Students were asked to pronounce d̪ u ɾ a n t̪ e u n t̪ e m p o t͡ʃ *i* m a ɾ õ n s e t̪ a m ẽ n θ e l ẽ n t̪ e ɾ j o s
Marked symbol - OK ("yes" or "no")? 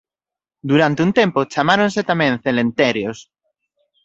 no